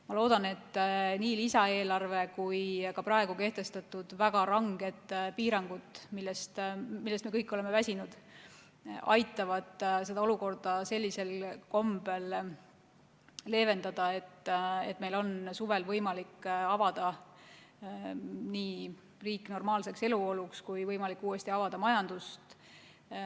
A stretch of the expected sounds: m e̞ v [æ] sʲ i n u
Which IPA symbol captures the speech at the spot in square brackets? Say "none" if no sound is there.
æ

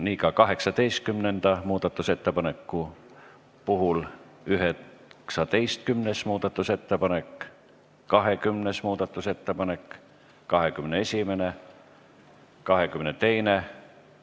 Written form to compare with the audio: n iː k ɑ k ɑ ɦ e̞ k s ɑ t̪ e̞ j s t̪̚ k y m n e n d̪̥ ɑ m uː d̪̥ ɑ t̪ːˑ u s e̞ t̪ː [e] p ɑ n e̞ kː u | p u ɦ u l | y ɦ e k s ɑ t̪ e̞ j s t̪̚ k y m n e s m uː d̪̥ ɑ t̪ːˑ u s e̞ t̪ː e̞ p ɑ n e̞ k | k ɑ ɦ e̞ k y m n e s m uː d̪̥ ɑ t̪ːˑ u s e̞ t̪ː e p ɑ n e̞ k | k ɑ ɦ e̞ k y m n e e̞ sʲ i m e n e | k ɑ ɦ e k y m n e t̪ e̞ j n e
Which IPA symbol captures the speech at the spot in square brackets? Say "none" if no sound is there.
e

